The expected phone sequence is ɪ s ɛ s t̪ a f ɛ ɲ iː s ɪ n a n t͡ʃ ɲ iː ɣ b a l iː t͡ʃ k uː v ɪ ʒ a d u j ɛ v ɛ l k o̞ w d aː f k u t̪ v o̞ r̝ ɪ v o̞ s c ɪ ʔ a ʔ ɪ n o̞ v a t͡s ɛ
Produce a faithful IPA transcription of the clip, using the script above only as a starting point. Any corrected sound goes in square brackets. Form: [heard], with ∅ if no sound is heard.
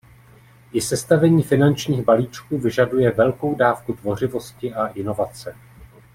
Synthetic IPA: ɪ s ɛ s t̪ a [v] ɛ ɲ iː [f] ɪ n a n t͡ʃ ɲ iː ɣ b a l iː t͡ʃ k uː v ɪ ʒ a d u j ɛ v ɛ l k o̞ w d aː f k u t̪ v o̞ r̝ ɪ v o̞ s c ɪ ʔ a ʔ ɪ n o̞ v a t͡s ɛ